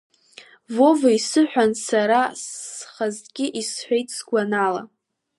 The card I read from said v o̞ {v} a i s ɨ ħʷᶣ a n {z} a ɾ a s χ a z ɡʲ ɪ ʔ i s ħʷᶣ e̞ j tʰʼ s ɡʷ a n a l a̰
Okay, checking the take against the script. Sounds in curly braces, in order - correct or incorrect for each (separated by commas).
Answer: correct, incorrect